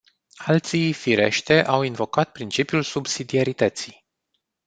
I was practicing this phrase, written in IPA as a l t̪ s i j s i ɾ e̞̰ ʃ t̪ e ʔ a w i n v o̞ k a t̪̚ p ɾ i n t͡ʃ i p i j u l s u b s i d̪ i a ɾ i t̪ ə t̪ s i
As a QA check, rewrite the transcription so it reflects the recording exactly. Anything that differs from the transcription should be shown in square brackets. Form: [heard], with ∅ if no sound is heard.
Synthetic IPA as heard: a l t̪ s i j [f] i ɾ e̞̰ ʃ t̪ e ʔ a w i n v o̞ k a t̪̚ p ɾ i n t͡ʃ i p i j u l s u b s i d̪ i a ɾ i t̪ ə t̪ s i